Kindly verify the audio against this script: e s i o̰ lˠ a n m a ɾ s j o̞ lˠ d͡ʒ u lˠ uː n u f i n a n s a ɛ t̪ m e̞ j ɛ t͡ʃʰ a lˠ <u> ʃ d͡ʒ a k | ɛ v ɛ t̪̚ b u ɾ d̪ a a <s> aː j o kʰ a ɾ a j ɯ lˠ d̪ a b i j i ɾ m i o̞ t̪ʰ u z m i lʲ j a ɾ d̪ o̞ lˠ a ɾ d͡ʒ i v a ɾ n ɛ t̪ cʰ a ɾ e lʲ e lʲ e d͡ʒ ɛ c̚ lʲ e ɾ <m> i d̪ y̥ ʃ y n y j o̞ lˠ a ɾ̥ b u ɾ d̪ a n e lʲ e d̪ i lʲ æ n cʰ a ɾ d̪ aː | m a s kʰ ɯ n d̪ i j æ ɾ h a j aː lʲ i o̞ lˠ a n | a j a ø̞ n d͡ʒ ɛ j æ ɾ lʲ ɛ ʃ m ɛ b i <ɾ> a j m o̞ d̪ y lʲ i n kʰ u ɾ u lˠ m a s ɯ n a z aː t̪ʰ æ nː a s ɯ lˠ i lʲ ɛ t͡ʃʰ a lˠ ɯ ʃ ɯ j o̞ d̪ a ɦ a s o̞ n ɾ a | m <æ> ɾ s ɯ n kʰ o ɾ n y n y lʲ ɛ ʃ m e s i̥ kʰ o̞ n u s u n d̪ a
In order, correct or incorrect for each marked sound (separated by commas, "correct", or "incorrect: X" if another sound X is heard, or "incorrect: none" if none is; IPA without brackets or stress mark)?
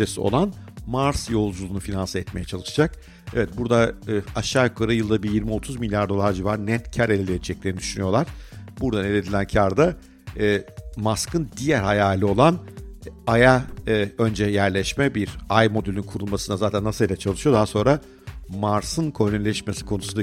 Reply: incorrect: ɯ, incorrect: ʃ, incorrect: n, correct, incorrect: a